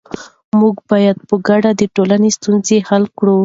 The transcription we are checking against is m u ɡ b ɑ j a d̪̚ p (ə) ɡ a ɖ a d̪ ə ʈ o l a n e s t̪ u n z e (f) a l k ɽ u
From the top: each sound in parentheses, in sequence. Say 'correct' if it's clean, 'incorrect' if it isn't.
correct, incorrect

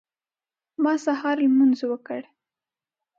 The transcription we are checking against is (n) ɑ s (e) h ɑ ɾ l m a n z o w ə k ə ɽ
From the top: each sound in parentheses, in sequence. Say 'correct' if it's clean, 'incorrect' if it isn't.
incorrect, incorrect

